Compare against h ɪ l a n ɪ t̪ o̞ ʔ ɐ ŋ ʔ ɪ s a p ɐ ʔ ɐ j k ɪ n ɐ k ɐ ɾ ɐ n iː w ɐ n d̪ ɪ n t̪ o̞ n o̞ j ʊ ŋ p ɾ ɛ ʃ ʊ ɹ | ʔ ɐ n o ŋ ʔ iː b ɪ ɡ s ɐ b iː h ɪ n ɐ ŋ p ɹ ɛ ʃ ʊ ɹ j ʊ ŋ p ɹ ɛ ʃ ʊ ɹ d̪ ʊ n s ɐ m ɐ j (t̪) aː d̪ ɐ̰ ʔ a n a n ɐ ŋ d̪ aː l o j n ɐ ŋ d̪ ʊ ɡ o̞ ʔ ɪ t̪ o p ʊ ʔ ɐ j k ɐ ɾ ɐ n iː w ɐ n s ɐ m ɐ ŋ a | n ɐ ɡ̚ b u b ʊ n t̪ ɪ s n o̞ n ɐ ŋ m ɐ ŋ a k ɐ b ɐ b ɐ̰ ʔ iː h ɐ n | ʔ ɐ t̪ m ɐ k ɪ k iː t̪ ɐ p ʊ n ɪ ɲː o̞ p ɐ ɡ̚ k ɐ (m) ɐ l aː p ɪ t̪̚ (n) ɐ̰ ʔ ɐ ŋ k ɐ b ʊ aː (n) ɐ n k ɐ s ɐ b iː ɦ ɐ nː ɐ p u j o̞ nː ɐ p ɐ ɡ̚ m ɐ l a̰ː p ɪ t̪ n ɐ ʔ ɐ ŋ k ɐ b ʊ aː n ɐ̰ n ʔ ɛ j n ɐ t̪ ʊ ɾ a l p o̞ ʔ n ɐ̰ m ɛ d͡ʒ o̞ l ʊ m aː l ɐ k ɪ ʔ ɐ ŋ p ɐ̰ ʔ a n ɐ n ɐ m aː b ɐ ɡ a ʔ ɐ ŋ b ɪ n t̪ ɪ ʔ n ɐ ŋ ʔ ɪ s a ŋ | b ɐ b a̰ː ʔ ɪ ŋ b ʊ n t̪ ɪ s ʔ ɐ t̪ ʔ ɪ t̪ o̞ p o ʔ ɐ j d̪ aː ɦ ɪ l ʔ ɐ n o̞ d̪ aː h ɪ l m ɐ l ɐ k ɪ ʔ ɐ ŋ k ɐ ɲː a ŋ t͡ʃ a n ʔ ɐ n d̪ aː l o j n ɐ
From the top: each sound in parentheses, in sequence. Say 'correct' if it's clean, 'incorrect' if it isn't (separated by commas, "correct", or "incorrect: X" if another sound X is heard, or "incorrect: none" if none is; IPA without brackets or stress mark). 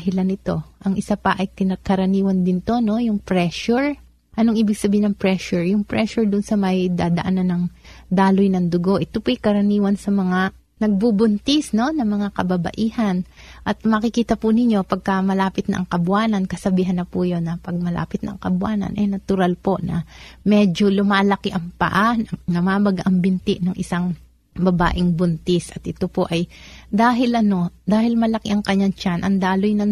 incorrect: d̪, correct, correct, correct